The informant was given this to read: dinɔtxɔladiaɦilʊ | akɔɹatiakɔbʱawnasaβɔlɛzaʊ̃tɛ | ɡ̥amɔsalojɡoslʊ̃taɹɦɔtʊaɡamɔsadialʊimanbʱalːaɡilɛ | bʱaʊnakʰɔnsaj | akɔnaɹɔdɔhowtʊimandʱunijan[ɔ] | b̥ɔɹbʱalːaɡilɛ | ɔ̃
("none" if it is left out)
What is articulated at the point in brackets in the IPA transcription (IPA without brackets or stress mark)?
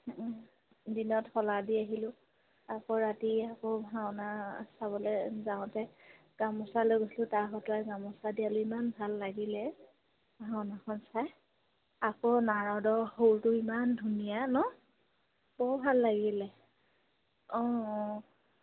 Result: ɔ